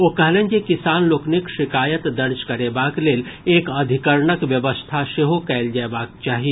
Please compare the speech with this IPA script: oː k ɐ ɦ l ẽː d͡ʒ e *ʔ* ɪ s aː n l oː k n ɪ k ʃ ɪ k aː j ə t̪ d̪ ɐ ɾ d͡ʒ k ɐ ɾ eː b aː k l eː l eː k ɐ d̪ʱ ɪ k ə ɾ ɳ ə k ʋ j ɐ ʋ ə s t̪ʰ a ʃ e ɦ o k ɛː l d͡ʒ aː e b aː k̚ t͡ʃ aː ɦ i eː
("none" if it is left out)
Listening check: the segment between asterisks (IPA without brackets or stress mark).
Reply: k